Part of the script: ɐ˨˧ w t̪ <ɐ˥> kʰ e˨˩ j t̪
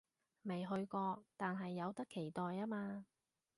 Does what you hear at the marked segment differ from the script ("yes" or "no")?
no